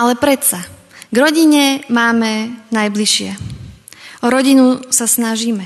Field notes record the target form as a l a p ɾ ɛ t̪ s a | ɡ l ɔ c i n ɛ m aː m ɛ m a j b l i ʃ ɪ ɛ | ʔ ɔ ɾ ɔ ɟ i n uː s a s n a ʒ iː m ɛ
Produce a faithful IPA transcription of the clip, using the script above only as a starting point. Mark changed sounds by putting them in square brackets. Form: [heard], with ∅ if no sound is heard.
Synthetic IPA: a l [ɛ] p ɾ ɛ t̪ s a | ɡ [ɾ] ɔ [ɟ] i [ɲ] ɛ m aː m ɛ [n] a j b l i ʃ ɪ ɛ | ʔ ɔ ɾ ɔ ɟ i n [u] s a s n a ʒ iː m ɛ